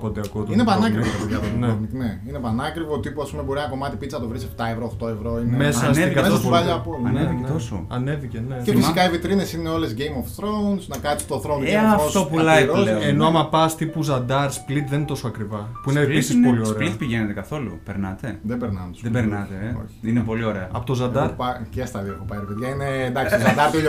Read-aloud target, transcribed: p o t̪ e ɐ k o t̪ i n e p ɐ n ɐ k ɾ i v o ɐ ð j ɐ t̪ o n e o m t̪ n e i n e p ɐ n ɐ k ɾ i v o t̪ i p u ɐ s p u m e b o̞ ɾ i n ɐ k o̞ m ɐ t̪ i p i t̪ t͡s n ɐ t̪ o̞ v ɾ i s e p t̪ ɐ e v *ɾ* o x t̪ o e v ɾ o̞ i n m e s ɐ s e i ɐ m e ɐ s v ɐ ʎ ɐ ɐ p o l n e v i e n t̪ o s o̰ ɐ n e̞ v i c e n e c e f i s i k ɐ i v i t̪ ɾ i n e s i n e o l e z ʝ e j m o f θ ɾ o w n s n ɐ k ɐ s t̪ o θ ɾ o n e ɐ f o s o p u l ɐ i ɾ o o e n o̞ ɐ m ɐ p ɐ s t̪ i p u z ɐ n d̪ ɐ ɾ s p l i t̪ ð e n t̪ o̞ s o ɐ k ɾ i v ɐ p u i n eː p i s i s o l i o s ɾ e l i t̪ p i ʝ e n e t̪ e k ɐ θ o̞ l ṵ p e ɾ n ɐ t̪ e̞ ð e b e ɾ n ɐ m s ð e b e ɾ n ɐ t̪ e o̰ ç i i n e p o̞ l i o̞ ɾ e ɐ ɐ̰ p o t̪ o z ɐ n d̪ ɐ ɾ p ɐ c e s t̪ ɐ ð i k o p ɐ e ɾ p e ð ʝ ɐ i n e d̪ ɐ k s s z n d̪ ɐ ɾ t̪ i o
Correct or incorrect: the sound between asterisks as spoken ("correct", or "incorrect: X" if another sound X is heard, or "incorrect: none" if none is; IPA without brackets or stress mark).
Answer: correct